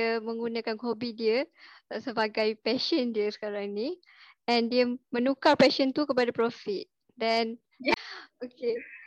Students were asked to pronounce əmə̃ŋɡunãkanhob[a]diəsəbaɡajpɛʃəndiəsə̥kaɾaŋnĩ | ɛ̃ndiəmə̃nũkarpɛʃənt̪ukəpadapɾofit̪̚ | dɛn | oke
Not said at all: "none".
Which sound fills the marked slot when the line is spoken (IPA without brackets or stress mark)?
i